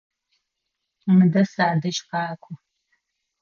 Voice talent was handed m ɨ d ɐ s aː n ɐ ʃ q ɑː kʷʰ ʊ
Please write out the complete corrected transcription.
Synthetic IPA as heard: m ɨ d ɐ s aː d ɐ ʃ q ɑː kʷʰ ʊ